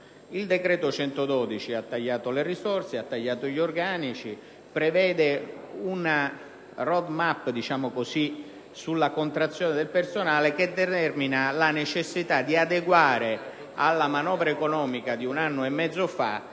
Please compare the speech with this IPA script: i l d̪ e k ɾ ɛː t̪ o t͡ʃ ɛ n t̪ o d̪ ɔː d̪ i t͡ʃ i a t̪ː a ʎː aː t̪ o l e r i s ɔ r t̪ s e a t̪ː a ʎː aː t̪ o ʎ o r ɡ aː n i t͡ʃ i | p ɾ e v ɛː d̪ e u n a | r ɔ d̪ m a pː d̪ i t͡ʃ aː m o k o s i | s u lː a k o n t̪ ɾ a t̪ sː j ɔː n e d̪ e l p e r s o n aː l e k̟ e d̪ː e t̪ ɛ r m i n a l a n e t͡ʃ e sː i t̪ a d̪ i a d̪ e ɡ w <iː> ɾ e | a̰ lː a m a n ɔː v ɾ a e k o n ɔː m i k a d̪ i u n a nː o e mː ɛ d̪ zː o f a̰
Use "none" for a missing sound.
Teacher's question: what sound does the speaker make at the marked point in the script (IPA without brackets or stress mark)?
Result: aː